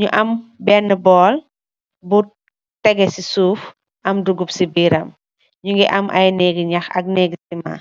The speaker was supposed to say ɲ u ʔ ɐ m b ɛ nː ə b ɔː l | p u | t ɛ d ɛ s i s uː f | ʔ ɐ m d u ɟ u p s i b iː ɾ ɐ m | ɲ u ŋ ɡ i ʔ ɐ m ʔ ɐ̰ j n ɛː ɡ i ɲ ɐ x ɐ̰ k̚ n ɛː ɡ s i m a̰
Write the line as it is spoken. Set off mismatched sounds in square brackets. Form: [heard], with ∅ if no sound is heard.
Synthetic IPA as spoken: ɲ u ʔ ɐ m b ɛ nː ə b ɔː l | [b] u | t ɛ [ɡ] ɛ s i s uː f | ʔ ɐ m d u [ɡ] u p s i b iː ɾ ɐ m | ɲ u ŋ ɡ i ʔ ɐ m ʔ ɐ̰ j n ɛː ɡ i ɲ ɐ x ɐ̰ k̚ n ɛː ɡ s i m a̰